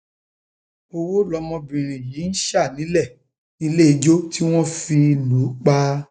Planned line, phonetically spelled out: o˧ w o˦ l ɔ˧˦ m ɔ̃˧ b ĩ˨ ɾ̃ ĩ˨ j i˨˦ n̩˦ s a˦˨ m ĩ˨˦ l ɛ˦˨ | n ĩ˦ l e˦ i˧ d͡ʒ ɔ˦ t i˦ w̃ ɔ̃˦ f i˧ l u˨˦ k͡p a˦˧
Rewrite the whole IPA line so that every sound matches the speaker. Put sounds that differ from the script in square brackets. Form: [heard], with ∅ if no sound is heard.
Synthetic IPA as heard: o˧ w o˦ l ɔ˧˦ m ɔ̃˧ b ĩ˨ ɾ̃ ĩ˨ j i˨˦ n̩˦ [ʃ] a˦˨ [n] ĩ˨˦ l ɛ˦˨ | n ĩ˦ l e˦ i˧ d͡ʒ [o˦] t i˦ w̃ ɔ̃˦ f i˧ l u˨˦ k͡p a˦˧